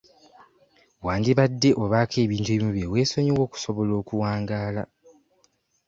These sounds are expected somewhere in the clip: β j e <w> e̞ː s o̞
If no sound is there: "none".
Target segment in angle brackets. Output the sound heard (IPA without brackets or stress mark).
w